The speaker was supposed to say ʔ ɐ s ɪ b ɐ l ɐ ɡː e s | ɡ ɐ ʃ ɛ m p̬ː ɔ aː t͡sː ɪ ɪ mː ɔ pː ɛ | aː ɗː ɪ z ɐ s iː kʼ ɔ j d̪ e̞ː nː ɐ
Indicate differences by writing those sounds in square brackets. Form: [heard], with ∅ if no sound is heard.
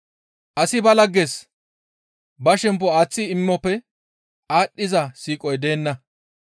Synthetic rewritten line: ʔ ɐ s ɪ b ɐ l ɐ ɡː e s | [b] ɐ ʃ ɛ m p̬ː ɔ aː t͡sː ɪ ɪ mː ɔ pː ɛ | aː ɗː ɪ z ɐ s iː kʼ ɔ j d̪ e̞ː nː ɐ